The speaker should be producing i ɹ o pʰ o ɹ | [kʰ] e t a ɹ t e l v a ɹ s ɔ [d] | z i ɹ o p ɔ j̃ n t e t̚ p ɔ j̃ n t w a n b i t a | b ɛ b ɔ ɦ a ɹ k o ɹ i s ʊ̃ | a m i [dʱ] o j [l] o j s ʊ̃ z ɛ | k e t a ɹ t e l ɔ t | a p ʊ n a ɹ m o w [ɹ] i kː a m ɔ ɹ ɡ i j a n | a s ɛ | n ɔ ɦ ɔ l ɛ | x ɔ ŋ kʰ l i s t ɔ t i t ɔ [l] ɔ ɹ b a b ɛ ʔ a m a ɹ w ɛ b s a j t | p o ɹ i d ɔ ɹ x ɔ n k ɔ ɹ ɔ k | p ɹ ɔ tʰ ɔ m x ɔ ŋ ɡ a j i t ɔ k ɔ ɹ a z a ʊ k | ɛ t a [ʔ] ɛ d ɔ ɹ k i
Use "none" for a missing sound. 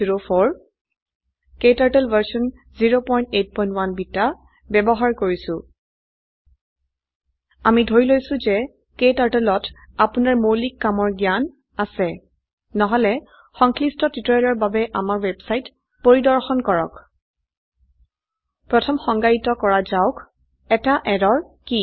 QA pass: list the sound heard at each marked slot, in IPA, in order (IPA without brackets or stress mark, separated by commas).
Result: k, n, dʱ, l, l, l, ʔ